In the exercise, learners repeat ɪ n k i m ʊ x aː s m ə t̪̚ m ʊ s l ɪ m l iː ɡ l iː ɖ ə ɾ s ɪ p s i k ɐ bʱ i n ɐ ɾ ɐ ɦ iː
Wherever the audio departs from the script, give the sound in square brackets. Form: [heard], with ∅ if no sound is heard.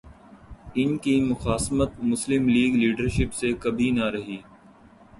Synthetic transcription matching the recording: ɪ n k i m ʊ x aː s m ə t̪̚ m ʊ s l ɪ m l iː ɡ l iː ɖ ə ɾ [ʃ] ɪ p s [e] k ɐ bʱ i n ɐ ɾ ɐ ɦ iː